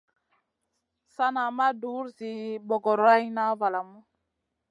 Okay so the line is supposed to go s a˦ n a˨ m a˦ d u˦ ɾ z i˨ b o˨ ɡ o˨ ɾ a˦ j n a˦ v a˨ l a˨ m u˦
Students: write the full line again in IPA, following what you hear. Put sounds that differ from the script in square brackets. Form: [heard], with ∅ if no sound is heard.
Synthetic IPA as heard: s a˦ n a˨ m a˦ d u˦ ɾ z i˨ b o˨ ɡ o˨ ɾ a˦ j n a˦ v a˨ l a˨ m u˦